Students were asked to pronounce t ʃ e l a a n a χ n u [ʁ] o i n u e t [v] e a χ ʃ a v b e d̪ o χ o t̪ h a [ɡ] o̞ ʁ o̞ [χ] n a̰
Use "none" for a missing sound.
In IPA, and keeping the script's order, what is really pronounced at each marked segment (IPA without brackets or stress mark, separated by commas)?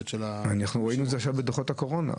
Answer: ʁ, z, k, none